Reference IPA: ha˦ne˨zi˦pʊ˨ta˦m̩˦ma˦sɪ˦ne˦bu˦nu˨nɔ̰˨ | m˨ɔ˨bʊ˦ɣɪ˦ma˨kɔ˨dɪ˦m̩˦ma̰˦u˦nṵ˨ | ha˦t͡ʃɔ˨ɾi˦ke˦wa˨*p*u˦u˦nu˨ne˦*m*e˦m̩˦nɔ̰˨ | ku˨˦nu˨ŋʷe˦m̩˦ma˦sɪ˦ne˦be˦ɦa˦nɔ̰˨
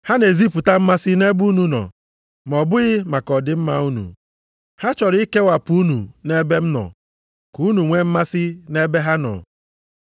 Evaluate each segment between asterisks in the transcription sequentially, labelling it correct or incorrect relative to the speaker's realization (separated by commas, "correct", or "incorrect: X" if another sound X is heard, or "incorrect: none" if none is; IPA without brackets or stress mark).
correct, incorrect: b